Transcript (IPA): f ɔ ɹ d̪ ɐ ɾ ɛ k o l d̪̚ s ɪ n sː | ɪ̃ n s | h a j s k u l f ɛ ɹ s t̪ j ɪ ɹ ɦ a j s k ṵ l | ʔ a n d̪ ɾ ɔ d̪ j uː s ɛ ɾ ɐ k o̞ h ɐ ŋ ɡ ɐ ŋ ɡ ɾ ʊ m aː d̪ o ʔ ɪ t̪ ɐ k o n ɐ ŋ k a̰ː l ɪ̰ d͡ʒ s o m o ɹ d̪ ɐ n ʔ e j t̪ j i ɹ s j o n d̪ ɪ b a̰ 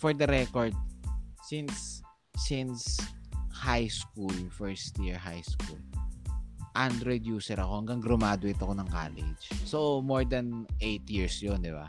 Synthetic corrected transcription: f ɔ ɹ d̪ ɐ ɾ ɛ k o ɹ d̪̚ s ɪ n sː | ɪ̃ n s | h a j s k u l f ɛ ɹ s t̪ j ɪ ɹ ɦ a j s k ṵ l | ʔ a n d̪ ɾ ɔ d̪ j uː s ɛ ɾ ɐ k o̞ h ɐ ŋ ɡ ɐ ŋ ɡ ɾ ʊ m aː d̪ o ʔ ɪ t̪ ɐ k o n ɐ ŋ k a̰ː l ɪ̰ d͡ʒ s o m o ɹ d̪ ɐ n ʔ e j t̪ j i ɹ s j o n d̪ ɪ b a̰